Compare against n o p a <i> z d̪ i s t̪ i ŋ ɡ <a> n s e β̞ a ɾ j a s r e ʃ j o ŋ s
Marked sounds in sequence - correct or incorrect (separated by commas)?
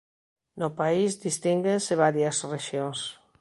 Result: correct, incorrect